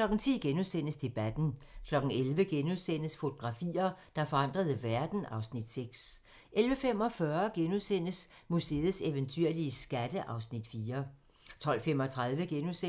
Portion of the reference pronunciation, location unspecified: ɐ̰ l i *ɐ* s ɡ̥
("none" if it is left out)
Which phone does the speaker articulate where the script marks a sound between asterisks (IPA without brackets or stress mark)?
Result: ə